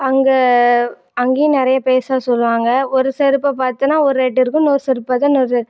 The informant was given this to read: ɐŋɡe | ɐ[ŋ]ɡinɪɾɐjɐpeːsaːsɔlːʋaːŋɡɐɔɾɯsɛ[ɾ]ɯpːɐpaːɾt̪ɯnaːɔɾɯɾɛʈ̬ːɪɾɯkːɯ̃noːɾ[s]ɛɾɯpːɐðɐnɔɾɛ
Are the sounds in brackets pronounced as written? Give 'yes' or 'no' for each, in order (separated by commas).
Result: yes, yes, yes